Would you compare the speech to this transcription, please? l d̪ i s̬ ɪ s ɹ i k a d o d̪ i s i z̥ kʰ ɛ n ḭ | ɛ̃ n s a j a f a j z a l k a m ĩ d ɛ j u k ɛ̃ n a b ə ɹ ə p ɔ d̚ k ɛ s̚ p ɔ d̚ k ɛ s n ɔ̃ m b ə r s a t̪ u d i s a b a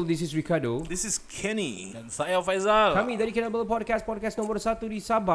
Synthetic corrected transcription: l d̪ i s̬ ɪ s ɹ i k a d o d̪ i s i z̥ kʰ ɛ n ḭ | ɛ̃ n s a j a f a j z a l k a m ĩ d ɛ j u k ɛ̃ n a b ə l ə p ɔ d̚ k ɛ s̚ p ɔ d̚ k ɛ s n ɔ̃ m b ə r s a t̪ u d i s a b a